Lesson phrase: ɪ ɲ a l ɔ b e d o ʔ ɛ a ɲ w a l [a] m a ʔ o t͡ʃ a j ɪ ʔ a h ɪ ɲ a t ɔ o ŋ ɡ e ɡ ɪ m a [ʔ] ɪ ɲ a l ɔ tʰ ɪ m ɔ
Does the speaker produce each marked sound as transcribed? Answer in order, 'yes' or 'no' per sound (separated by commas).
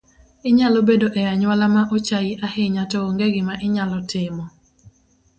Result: yes, yes